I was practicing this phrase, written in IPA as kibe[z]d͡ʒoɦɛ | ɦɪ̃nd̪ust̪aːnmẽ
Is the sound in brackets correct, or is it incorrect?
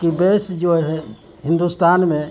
incorrect: s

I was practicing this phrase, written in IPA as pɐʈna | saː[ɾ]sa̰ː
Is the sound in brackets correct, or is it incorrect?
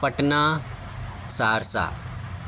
correct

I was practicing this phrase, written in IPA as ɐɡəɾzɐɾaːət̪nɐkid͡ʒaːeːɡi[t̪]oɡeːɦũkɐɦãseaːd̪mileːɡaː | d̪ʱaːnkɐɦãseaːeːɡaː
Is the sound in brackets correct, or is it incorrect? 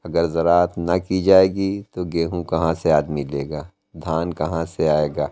correct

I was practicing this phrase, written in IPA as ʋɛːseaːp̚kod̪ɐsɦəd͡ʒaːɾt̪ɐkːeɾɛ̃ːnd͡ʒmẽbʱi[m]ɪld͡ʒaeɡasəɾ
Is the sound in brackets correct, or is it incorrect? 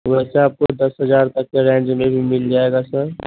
correct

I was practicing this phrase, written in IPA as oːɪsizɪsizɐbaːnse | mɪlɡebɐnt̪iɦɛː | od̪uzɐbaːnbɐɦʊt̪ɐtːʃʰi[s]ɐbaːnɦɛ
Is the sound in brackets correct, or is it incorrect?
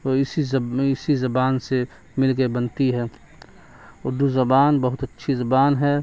incorrect: z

